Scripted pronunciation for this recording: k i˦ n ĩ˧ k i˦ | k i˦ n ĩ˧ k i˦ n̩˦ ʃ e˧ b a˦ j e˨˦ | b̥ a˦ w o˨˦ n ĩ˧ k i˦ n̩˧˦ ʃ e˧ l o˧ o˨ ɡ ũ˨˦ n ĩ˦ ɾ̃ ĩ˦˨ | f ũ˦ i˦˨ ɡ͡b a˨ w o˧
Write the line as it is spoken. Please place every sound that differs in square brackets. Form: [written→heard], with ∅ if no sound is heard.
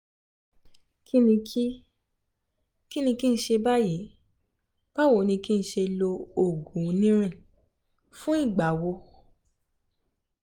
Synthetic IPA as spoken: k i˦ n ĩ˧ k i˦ | k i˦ n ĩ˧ k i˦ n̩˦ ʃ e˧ b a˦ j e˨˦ | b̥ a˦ w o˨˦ n ĩ˧ k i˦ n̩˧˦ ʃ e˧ l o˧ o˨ ɡ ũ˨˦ n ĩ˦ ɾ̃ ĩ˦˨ | f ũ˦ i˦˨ ɡ͡b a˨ w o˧

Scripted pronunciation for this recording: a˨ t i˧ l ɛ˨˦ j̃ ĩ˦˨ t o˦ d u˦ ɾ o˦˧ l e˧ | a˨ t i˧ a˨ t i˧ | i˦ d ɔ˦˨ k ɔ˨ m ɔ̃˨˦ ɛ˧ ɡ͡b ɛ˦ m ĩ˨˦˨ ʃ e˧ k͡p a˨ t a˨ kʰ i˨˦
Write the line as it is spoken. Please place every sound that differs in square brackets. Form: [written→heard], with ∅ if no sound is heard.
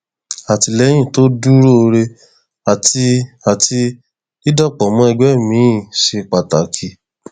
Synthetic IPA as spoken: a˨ t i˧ l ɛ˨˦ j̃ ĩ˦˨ t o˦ d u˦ ɾ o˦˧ [l→ɾ] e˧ | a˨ t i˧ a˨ t i˧ | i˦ d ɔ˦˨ [k→k͡p] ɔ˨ m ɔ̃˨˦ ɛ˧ ɡ͡b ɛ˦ m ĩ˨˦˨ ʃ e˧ k͡p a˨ t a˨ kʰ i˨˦

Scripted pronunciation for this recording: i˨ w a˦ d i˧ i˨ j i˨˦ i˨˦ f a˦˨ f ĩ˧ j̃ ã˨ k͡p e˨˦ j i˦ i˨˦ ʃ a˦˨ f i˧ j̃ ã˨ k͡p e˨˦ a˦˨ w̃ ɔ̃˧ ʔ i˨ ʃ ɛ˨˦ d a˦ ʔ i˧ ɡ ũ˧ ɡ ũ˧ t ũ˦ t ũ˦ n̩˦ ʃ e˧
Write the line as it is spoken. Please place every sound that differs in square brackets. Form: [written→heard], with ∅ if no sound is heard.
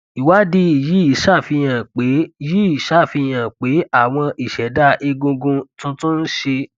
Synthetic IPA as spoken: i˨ w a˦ d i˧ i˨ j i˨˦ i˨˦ [f→ʃ] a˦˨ f [ĩ˧→i˧] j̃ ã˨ k͡p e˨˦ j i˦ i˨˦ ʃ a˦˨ f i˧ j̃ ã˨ k͡p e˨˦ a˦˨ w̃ ɔ̃˧ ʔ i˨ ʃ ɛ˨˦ d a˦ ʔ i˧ ɡ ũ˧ ɡ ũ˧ t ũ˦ t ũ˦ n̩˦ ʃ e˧

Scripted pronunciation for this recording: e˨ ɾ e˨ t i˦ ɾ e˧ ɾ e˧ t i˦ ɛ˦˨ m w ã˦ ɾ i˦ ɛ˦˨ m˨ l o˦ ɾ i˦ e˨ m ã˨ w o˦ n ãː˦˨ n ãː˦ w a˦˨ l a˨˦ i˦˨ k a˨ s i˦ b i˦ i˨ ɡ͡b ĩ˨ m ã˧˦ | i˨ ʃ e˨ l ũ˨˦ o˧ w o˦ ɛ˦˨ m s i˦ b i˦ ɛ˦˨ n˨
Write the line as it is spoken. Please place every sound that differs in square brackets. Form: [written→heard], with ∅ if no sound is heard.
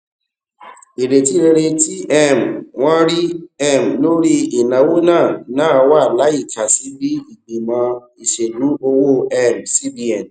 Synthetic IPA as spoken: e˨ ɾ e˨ t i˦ ɾ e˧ ɾ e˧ t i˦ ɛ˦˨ m w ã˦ ɾ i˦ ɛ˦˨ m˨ l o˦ ɾ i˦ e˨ [m→n] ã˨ w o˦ n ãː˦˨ n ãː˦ w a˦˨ l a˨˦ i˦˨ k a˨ s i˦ b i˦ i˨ ɡ͡b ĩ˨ m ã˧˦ | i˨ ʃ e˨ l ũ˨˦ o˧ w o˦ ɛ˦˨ m s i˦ b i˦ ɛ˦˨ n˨

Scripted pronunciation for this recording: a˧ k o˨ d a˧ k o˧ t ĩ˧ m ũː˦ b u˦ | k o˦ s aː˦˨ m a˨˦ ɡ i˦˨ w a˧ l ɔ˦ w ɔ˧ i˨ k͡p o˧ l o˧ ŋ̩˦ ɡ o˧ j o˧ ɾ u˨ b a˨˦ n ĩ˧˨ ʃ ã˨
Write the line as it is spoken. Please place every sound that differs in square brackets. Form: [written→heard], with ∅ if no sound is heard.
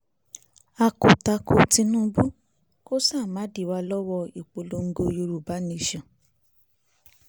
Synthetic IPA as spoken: a˧ k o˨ [d→t] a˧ k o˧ t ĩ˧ [m→n] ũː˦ b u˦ | k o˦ s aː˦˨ m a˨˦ [ɡ→d] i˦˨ w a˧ l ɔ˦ w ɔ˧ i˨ k͡p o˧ l o˧ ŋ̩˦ ɡ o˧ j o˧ ɾ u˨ b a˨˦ n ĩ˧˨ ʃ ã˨

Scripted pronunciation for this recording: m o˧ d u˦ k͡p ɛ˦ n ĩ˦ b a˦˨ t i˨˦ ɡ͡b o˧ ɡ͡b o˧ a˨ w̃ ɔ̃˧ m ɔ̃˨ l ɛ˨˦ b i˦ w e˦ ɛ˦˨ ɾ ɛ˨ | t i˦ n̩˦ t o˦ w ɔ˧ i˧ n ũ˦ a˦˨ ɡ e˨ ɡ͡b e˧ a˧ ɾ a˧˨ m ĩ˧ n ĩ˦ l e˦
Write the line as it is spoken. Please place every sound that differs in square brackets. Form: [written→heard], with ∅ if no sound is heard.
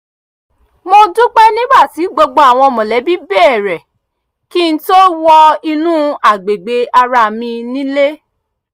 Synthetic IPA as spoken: m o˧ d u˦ k͡p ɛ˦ n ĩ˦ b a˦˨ t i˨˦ ɡ͡b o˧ ɡ͡b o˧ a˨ w̃ ɔ̃˧ m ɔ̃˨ l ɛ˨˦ b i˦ [w→b] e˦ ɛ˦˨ ɾ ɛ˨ | [t→k] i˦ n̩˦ t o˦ w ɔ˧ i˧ n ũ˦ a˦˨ [ɡ→ɡ͡b] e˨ ɡ͡b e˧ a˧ ɾ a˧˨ m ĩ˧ n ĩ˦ l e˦

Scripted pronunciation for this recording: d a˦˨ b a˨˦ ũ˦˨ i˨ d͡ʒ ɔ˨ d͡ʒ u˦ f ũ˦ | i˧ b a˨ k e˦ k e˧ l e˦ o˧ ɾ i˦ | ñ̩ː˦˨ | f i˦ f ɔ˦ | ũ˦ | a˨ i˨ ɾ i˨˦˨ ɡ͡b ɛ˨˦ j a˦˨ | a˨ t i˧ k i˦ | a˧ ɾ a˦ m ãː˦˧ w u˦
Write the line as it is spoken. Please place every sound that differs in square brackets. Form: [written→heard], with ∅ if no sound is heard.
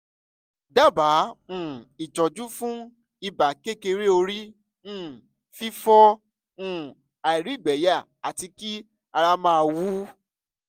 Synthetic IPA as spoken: d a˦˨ b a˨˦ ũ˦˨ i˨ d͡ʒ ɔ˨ d͡ʒ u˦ f ũ˦ | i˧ b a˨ k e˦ k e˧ [l→ɾ] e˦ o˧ ɾ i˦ | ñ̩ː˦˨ | f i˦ f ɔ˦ | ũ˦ | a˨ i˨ ɾ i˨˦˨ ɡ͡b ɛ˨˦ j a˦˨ | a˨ t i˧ k i˦ | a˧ ɾ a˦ m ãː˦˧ w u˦

